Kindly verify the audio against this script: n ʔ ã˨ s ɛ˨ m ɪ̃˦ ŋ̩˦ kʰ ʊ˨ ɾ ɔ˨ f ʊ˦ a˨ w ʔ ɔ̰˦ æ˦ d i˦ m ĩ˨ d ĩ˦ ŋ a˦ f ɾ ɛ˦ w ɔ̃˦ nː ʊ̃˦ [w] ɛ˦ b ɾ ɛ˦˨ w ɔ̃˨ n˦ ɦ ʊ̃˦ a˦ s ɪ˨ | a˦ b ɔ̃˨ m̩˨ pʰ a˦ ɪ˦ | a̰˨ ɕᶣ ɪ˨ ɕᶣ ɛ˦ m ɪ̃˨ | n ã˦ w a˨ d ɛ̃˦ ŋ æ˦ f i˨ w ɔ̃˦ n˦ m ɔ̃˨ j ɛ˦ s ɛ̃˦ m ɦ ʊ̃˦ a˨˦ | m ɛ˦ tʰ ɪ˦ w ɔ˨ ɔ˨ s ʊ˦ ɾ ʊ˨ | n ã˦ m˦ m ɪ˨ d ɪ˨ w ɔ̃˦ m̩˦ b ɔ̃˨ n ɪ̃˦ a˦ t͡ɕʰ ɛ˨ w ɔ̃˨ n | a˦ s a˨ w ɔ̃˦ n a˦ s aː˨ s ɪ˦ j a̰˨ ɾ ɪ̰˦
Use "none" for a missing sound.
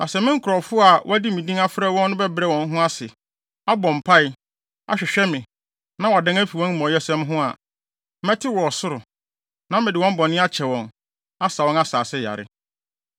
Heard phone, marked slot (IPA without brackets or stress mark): b